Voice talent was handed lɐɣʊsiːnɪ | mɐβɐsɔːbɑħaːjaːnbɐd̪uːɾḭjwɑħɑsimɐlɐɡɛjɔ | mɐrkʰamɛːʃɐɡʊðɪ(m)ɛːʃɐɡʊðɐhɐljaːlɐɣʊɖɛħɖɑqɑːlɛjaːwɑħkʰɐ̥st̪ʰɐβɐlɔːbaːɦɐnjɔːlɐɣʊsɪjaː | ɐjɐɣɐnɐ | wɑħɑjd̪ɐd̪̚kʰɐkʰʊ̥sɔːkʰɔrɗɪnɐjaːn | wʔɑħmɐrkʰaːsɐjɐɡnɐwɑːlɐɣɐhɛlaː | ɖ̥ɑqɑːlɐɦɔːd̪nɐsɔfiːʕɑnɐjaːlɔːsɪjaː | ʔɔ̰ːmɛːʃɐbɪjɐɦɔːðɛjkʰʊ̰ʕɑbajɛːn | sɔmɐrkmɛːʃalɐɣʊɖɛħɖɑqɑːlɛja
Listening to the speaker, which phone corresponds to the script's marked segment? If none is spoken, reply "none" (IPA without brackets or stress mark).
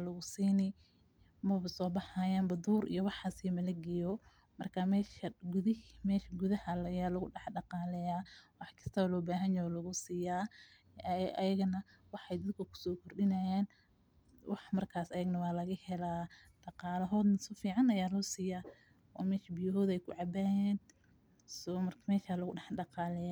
m